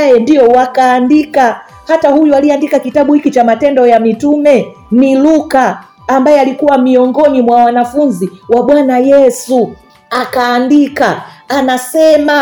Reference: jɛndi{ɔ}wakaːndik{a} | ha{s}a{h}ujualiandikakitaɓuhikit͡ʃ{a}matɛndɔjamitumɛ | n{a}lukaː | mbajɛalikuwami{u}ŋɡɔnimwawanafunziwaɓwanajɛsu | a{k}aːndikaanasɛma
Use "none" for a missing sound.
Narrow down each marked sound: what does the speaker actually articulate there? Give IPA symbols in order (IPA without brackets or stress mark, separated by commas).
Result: ɔ, a, t, h, a, i, ɔ, k